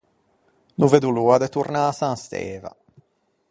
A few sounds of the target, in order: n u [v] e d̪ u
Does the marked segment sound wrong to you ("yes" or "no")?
no